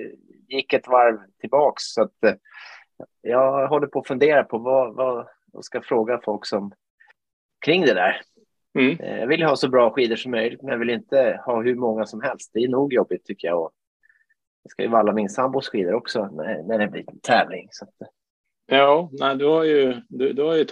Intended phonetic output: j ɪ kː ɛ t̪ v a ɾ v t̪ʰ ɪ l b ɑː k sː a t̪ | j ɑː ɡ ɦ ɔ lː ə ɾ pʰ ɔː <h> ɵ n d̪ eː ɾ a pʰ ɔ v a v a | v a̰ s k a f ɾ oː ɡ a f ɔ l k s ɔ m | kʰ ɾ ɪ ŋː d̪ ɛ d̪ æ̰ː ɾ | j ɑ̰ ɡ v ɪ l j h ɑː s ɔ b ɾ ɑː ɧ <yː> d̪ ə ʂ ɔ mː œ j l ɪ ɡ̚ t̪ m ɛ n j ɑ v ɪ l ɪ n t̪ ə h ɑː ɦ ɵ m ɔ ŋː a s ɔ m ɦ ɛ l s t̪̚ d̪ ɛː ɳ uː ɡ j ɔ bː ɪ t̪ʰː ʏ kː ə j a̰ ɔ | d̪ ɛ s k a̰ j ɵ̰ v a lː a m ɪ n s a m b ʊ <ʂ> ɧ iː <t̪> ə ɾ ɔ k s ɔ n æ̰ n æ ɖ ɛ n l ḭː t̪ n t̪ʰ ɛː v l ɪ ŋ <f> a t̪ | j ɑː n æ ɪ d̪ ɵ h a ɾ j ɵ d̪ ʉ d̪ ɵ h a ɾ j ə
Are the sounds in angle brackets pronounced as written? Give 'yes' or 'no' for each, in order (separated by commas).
no, no, no, no, no